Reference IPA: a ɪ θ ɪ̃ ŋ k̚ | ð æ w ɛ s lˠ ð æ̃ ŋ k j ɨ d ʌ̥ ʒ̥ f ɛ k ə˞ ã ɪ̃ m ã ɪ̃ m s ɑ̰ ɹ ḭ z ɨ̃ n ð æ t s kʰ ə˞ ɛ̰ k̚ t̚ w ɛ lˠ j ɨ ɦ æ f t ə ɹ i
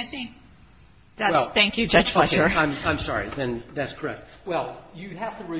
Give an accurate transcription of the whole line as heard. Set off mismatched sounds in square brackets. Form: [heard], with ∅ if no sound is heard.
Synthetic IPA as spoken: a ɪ θ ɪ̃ ŋ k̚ | ð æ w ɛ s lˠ [θ] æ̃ ŋ k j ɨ [d͡ʒ] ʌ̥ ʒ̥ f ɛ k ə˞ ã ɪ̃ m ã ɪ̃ m s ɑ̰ ɹ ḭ [ð] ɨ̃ n ð æ t s kʰ ə˞ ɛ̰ k̚ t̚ w ɛ lˠ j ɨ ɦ æ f t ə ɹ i